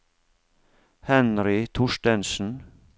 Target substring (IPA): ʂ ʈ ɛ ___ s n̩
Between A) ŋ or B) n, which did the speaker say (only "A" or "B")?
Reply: B